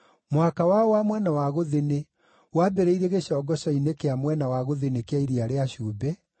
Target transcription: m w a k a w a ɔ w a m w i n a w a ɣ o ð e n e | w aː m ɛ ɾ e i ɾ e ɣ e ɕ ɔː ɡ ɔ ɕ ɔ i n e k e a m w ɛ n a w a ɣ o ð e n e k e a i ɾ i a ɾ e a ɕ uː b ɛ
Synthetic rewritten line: m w a k a w a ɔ w a m w ɛ n a w a ɣ o ð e n e | w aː b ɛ ɾ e i ɾ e ɣ e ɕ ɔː ɡ ɔ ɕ ɔ i n e k e a m w ɛ n a w a ɣ o ð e n e k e a i ɾ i a ɾ e a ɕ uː b ɛ